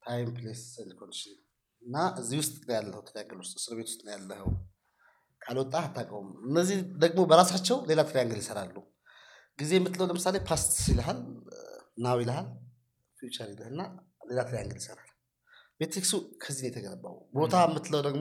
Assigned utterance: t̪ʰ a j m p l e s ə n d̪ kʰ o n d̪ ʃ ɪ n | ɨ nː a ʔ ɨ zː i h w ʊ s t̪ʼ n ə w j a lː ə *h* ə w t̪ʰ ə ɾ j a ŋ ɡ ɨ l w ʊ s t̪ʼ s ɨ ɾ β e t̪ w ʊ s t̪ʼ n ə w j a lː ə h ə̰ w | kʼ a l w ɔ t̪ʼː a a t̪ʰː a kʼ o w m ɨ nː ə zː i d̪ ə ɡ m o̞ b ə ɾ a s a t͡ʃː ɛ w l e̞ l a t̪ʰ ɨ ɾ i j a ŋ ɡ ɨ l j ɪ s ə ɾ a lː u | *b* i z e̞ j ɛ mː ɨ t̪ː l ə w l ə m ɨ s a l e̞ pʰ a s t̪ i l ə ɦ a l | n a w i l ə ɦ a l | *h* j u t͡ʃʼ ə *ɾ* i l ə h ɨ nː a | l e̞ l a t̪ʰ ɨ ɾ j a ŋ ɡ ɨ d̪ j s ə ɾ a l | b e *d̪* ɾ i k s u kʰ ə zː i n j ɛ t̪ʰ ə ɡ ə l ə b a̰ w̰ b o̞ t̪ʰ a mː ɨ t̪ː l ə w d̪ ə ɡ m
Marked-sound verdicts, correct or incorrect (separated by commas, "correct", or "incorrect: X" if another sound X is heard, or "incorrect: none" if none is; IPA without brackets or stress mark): correct, incorrect: ɡ, incorrect: f, correct, incorrect: t̪